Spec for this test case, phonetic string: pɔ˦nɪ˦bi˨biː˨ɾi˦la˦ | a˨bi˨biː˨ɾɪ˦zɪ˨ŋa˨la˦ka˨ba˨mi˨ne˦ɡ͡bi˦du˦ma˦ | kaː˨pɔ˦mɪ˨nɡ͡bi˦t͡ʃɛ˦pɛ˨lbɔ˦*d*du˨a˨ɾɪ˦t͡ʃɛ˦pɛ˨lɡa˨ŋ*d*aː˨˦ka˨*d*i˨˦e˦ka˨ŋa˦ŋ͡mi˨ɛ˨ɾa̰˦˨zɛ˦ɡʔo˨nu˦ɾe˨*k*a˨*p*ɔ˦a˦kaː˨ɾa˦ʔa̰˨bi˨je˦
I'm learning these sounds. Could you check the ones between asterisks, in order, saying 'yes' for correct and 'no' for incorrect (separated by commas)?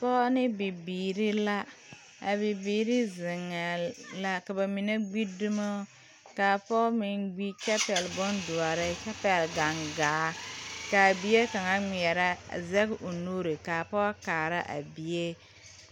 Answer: no, no, no, yes, yes